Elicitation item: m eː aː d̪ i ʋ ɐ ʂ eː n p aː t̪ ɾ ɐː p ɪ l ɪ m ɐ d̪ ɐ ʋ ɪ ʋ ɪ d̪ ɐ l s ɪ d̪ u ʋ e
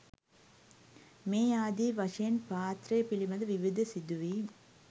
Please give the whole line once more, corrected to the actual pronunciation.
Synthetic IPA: m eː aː d̪ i ʋ ɐ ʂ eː n p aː t̪ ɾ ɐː p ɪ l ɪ m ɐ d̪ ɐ ʋ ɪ ʋ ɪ d̪ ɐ s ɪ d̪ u ʋ i